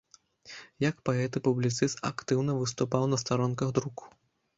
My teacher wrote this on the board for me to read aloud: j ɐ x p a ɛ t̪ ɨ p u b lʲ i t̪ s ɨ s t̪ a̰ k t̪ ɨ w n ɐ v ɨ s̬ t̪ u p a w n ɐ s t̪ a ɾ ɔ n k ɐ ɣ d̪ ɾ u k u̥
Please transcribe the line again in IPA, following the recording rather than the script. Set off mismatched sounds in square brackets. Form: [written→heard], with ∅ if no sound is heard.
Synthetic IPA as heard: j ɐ [x→k] p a ɛ t̪ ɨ p u b lʲ i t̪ s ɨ s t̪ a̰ k t̪ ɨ w n ɐ v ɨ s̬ t̪ u p a w n ɐ s t̪ a ɾ ɔ n k ɐ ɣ d̪ ɾ u k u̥